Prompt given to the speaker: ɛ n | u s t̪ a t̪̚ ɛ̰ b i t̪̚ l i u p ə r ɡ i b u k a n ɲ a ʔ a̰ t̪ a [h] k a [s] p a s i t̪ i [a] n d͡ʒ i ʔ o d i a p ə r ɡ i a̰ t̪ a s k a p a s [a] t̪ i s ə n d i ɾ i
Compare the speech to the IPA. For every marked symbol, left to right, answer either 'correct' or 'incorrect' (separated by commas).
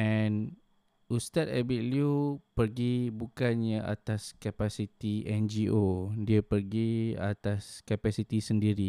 incorrect, incorrect, incorrect, incorrect